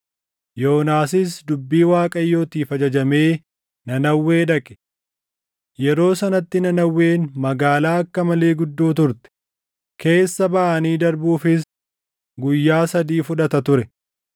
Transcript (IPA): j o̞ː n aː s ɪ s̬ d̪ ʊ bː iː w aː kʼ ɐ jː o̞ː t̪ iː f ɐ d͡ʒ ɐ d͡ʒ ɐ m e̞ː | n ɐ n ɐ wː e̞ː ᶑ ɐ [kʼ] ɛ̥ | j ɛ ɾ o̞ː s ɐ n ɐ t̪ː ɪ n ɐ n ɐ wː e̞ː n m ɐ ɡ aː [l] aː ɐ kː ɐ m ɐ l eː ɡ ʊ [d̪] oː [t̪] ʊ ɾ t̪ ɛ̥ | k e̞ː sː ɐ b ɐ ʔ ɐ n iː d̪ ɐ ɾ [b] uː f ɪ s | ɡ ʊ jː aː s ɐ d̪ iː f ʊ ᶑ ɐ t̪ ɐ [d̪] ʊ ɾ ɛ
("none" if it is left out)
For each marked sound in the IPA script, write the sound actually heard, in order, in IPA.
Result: kʼ, l, d̪ː, t̪, b, t̪

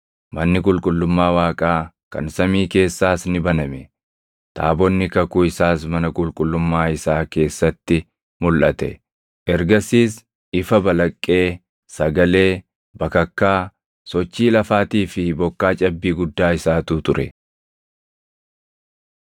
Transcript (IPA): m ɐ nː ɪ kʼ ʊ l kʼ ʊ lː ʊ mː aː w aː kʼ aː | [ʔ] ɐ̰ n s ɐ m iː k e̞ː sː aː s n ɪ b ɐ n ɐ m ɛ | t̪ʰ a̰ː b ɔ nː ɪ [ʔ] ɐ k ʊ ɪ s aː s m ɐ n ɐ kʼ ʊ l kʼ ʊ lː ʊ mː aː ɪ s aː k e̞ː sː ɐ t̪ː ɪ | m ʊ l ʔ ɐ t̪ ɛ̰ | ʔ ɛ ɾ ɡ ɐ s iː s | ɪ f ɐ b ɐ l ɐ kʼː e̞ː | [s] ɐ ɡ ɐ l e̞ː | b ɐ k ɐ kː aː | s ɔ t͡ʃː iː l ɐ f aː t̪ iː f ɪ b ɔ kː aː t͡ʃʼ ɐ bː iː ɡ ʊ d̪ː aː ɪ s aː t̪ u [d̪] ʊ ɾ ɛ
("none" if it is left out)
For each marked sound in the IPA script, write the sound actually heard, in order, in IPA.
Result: k, k, s, t̪

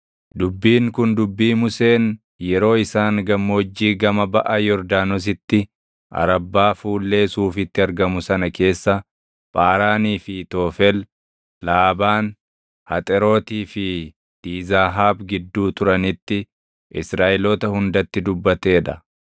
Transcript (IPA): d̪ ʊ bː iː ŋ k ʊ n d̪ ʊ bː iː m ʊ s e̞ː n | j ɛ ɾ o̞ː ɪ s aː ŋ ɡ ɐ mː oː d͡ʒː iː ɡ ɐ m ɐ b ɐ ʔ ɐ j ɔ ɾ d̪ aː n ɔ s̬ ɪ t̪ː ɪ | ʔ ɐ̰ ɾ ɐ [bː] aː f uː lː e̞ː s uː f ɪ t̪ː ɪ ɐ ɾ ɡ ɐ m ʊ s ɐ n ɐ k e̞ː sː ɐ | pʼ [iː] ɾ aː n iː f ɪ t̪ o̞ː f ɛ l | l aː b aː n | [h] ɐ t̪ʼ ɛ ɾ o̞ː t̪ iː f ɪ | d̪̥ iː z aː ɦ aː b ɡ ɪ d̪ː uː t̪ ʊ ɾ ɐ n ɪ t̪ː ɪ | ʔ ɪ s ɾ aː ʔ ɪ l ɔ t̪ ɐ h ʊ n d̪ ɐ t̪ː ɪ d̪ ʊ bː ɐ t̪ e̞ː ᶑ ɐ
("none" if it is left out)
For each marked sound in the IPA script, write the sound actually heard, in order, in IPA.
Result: bː, aː, h

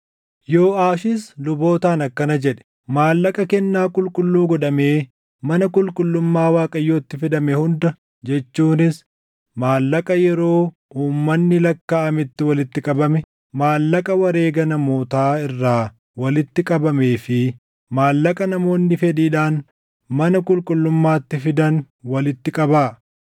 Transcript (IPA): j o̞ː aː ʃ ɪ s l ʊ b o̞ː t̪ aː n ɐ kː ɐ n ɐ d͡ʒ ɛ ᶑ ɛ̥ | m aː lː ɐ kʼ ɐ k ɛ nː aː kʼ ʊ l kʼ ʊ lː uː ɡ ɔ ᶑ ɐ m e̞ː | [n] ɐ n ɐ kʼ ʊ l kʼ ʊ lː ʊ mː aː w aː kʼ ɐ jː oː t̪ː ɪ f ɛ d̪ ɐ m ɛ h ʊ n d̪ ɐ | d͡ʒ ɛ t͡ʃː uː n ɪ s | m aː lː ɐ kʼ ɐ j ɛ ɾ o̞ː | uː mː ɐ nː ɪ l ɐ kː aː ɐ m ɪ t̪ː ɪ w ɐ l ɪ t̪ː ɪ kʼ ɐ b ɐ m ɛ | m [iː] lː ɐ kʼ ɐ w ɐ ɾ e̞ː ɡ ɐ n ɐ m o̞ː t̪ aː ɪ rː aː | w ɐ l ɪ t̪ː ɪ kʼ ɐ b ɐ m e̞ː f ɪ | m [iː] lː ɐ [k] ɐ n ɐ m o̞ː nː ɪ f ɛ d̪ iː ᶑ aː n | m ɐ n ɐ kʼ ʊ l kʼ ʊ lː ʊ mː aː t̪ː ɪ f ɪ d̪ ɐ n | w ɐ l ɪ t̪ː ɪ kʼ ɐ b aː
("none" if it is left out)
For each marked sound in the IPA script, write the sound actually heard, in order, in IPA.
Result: m, aː, aː, kʼ

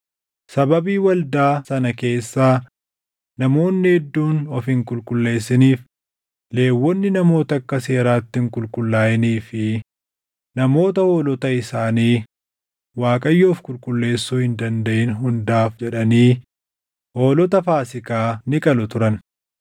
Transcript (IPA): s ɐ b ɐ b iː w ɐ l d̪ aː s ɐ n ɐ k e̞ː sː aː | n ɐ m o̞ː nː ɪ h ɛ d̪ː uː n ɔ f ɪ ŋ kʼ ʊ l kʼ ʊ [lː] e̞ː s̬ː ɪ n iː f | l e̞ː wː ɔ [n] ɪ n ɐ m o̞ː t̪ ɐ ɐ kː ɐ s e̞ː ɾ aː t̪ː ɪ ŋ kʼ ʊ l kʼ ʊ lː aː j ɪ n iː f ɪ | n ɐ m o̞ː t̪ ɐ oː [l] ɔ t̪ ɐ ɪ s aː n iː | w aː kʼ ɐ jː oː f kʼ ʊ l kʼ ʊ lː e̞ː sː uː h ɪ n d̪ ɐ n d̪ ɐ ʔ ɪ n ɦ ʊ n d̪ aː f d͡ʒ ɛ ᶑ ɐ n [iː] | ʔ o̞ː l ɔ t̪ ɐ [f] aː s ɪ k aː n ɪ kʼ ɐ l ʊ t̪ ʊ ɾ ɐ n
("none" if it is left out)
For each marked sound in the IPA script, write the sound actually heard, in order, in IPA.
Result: lː, nː, l, iː, f

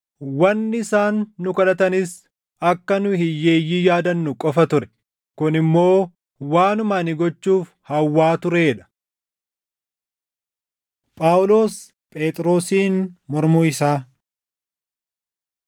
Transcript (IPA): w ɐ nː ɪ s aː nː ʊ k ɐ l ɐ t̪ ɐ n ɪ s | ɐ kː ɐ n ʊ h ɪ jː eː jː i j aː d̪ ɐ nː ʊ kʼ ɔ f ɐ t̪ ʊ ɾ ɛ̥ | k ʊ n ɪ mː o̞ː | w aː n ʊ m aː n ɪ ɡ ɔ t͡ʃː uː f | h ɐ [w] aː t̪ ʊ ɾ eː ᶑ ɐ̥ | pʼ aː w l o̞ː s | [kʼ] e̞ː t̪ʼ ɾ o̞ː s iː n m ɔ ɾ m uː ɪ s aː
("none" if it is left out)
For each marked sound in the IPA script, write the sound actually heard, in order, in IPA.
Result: wː, pʼ

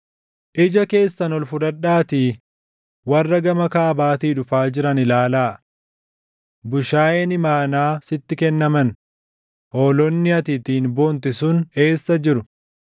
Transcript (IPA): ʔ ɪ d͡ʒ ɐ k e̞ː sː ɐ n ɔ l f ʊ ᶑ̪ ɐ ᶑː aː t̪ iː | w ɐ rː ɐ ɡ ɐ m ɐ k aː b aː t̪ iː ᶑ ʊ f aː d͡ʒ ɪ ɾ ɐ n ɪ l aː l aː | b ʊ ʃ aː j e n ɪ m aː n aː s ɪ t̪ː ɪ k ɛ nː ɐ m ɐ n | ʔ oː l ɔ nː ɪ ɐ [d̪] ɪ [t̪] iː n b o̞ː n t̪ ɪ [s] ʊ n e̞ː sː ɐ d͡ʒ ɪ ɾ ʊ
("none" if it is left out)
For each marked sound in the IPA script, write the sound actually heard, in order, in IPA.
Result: t̪, t̪, s

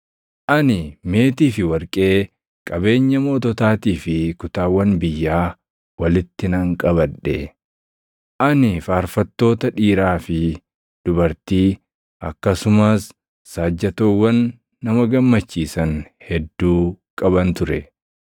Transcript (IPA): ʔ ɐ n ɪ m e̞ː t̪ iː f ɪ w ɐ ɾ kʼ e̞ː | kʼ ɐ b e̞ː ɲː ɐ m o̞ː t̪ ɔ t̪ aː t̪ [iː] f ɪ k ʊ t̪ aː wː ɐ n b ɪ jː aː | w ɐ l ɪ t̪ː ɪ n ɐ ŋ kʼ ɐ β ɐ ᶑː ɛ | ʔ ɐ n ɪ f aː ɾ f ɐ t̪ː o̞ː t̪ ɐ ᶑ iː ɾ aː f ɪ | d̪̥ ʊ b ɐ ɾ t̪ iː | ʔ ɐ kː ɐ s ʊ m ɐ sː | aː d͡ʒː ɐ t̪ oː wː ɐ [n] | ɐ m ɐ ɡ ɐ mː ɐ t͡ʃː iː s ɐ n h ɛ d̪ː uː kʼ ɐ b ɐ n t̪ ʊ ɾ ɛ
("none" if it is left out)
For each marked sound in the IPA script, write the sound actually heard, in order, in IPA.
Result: iː, nː

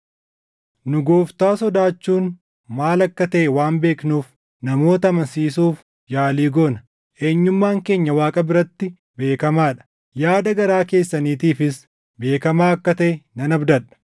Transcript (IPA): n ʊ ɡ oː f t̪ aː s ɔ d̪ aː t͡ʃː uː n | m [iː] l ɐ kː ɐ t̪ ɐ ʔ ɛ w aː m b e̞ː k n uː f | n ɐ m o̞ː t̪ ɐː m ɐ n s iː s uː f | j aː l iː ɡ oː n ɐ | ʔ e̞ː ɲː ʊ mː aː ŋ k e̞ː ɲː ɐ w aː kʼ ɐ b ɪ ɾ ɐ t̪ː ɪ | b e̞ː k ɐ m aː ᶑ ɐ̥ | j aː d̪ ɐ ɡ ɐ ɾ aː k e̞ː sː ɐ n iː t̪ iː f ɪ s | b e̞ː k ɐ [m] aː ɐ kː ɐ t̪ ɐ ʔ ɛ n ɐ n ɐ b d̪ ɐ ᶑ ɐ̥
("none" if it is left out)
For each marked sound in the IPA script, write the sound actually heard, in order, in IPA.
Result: aː, m

